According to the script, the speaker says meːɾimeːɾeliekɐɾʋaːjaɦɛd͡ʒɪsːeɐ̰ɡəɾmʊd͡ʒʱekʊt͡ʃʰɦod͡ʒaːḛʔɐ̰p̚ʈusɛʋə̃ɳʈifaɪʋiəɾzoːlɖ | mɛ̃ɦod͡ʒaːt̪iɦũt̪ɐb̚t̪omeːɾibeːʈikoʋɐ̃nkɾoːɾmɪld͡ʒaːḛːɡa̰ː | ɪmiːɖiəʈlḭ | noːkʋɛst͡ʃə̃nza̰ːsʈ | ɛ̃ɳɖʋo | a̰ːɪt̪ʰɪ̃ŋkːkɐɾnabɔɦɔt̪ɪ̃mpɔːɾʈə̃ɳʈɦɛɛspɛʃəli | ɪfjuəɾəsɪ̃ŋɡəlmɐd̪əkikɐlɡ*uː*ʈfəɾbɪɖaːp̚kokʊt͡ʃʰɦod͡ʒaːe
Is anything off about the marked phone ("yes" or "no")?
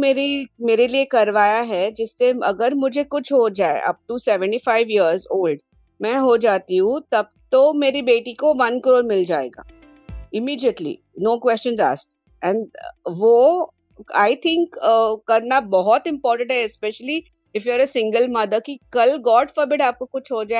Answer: yes